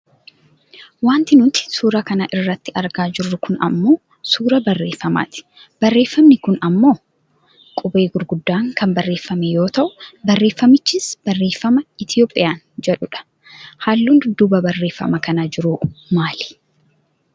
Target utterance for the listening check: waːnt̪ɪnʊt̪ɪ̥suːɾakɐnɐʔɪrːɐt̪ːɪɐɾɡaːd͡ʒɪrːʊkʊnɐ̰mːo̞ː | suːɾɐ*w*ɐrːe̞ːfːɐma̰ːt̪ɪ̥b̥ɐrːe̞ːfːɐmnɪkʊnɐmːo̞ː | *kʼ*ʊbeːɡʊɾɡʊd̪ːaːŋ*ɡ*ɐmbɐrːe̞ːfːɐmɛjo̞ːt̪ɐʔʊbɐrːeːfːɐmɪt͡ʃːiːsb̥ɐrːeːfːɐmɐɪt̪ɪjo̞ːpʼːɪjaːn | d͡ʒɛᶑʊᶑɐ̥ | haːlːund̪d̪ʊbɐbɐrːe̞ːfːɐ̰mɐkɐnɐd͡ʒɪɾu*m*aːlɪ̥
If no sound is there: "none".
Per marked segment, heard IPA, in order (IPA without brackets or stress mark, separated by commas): b, kʼ, k, m